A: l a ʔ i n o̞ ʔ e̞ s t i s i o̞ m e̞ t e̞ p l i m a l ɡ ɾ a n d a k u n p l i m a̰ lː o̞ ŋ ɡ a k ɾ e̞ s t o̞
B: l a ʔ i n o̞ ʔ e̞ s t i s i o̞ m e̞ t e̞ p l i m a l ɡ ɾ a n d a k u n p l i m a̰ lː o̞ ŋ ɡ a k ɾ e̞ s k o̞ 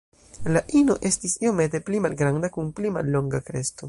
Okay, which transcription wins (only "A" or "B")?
A